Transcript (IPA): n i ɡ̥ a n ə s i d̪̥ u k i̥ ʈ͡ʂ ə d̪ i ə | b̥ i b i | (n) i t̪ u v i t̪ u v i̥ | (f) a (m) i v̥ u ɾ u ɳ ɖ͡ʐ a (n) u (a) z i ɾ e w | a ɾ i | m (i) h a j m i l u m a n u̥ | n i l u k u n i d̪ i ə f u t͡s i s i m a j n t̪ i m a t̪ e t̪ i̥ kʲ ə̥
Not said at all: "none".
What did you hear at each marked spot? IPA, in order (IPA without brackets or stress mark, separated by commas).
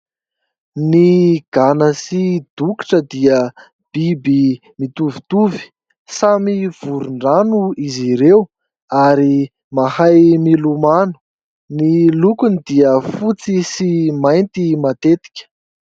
m, s, m, n, i, a